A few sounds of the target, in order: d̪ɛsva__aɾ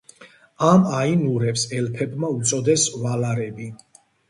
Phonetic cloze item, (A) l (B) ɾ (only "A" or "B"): A